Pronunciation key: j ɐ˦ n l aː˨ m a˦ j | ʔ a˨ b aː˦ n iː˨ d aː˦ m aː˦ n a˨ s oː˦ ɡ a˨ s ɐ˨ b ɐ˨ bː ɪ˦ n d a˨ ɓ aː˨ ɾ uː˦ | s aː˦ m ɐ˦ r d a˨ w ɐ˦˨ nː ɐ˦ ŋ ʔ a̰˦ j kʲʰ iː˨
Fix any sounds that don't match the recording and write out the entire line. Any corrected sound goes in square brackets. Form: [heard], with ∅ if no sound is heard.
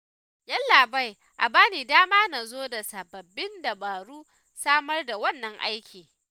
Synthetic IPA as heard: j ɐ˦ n l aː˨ [b] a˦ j | ʔ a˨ b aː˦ n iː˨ d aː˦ m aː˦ n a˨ [z] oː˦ [d] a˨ s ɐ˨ b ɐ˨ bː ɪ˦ n d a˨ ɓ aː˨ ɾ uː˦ | s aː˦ m ɐ˦ r d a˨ w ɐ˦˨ nː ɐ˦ ŋ ʔ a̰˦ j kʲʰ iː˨